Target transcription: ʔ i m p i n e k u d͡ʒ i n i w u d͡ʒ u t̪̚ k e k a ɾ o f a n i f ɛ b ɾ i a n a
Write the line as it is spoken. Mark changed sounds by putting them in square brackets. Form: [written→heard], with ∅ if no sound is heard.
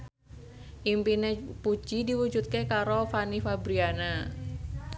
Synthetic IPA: ʔ i m p i n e [k→p] u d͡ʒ i [n→d] i w u d͡ʒ u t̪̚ k e k a ɾ o f a n i f [ɛ→a] b ɾ i a n a